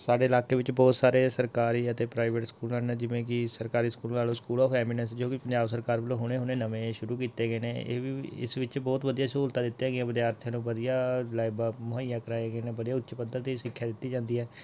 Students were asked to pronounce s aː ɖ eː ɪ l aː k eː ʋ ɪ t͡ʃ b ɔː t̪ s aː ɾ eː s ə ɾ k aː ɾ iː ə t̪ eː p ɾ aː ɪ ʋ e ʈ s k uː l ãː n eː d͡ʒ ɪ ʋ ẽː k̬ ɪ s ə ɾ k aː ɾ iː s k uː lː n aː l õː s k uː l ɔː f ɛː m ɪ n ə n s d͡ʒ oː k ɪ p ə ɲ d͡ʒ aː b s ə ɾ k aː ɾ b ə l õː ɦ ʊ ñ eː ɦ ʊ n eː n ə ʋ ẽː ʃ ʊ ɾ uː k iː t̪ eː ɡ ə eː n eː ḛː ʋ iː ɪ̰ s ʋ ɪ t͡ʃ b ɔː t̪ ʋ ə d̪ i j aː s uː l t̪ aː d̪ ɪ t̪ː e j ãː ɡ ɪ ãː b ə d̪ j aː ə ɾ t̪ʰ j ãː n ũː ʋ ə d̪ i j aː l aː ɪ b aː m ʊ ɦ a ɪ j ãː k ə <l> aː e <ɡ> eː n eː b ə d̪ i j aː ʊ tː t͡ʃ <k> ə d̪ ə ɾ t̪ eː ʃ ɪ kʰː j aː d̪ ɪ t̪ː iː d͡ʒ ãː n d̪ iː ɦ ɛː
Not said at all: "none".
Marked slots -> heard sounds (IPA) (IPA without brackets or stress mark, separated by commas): ɾ, ɡ, p